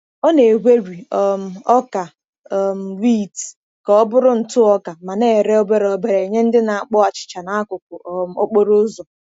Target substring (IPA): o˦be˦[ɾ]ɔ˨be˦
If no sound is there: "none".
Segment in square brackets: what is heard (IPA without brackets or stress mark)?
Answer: ɾ